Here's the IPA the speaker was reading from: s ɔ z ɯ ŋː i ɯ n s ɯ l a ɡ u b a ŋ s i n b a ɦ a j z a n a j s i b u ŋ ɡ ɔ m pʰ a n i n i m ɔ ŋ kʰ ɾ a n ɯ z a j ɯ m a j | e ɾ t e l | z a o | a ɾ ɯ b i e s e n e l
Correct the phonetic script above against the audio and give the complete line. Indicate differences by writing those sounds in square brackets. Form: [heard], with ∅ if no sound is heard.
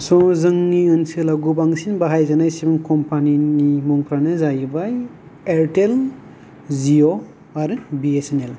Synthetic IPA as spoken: s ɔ z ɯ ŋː i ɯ n s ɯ l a ɡ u b a ŋ s i n b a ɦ a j z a n a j s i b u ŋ [k] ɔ m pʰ a n i n i m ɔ ŋ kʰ ɾ a n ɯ z a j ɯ [b] a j | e ɾ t e l | z [i] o | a ɾ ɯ b i e s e n e l